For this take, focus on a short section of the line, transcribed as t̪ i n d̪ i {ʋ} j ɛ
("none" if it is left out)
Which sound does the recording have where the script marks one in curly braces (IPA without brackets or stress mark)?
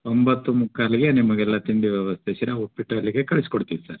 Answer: ʋ